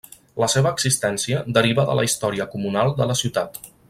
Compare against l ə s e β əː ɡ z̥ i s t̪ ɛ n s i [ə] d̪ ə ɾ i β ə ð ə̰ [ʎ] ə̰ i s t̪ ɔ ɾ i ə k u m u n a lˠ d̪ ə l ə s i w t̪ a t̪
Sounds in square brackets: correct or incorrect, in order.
correct, incorrect

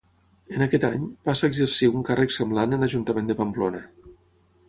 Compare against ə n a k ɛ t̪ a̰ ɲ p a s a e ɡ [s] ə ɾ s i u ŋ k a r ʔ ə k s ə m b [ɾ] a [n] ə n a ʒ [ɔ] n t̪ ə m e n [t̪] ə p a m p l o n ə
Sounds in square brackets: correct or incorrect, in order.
incorrect, incorrect, correct, incorrect, incorrect

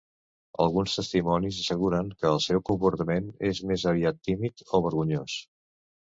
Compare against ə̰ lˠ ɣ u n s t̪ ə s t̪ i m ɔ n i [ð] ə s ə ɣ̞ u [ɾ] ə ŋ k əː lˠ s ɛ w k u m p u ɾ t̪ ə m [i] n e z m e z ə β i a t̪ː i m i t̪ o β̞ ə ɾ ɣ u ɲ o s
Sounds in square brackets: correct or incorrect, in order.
incorrect, correct, incorrect

